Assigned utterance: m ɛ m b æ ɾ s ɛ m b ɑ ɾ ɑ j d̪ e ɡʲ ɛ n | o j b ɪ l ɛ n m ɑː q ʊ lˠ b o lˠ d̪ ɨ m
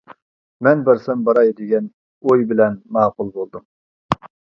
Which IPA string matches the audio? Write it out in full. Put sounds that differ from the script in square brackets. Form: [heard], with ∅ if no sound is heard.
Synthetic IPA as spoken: m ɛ [n] b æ ɾ s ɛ m b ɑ ɾ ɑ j d̪ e ɡʲ ɛ n | o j b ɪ l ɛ n m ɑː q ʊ lˠ b o lˠ d̪ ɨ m